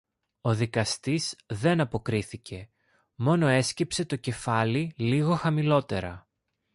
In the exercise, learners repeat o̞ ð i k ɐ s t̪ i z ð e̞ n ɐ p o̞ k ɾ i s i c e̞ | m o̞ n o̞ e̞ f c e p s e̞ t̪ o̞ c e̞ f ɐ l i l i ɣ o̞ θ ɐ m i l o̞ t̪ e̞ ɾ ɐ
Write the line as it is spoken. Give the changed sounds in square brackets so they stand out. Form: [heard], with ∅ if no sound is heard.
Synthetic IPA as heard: o̞ ð i k ɐ s t̪ i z ð e̞ n ɐ p o̞ k ɾ i [θ] i c e̞ | m o̞ n o̞ e̞ [s] c e p s e̞ t̪ o̞ c e̞ f ɐ l i l i ɣ o̞ [x] ɐ m i l o̞ t̪ e̞ ɾ ɐ